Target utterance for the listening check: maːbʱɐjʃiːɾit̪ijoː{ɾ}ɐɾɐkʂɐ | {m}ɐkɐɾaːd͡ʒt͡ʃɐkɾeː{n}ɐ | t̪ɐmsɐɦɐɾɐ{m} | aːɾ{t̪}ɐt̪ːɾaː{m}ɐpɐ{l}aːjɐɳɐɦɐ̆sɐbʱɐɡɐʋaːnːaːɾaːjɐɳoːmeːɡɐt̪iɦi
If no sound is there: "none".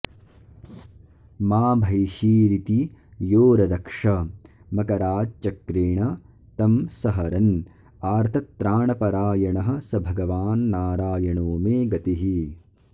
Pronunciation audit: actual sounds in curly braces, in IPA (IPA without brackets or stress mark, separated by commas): ɾ, m, ɳ, n, t̪ʰ, ɳ, ɾ